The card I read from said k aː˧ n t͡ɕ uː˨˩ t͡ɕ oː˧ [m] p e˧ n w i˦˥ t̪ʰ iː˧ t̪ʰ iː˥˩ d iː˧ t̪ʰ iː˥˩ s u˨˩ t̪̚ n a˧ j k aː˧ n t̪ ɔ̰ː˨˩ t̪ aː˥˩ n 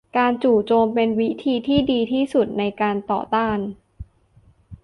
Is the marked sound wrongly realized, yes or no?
no